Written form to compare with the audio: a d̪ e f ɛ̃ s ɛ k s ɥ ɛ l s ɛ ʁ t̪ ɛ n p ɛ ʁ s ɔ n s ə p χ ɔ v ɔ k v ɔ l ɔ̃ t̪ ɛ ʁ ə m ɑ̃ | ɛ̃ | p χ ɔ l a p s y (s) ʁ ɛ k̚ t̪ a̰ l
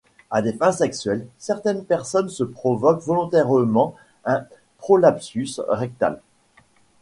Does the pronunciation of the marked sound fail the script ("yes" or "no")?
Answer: no